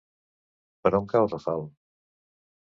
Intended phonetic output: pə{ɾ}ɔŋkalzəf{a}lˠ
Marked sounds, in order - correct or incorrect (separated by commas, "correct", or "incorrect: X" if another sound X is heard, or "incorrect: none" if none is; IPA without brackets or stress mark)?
correct, correct